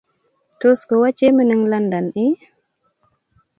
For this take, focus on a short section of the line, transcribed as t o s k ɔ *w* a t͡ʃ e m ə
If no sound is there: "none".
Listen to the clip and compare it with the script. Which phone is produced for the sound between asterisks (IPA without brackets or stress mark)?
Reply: w